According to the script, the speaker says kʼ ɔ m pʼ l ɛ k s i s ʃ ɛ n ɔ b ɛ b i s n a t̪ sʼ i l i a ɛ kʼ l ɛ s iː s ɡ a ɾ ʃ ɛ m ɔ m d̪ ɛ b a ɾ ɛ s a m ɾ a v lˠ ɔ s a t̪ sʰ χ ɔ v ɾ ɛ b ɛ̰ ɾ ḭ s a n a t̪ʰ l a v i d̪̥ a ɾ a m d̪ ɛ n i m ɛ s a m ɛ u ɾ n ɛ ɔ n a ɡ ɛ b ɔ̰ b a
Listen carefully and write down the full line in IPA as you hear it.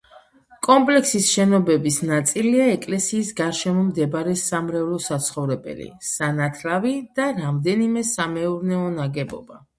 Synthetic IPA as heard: kʼ ɔ m pʼ l ɛ k s i s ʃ ɛ n ɔ b ɛ b i s n a t̪ sʼ i l i a ɛ kʼ l ɛ s iː s ɡ a ɾ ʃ ɛ m ɔ m d̪ ɛ b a ɾ ɛ s a m ɾ ɛ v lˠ ɔ s a t̪ sʰ χ ɔ v ɾ ɛ b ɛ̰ l ḭ s a n a t̪ʰ l a v i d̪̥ a ɾ a m d̪ ɛ n i m ɛ s a m ɛ u ɾ n ɛ ɔ n a ɡ ɛ b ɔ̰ b a